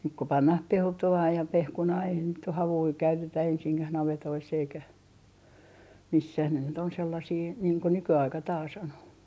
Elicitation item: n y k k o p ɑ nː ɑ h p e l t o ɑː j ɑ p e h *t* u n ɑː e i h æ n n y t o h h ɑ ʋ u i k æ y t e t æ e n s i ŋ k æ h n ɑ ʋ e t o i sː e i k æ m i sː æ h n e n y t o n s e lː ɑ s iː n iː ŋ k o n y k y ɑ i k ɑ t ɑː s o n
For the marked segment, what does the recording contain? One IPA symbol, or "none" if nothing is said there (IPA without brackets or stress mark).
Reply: k